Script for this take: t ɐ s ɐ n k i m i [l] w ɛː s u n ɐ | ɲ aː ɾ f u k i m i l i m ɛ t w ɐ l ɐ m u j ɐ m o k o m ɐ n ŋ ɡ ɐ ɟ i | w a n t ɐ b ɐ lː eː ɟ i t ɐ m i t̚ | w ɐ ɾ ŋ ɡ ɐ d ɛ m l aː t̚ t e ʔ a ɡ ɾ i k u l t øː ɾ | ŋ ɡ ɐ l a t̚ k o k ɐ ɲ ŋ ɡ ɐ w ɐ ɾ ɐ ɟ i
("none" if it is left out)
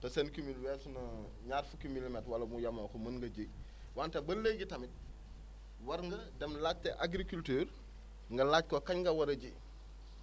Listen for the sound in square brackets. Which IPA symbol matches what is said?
l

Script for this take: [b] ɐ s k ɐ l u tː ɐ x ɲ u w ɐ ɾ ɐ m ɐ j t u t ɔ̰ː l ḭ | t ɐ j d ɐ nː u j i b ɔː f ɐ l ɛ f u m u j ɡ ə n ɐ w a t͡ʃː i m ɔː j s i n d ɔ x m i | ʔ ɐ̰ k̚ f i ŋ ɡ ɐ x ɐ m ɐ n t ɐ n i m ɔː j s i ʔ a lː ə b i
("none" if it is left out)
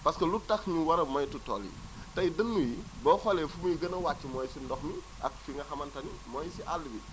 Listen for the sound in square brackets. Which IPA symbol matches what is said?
p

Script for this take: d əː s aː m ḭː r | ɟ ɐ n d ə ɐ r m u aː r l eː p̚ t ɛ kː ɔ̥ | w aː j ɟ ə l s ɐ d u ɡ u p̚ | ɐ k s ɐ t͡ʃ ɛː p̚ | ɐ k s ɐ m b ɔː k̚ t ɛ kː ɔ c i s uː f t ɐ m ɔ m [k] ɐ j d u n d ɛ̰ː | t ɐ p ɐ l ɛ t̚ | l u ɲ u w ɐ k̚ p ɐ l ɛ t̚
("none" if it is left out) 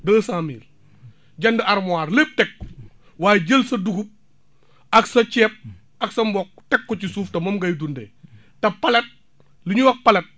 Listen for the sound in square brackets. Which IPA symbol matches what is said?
ɡ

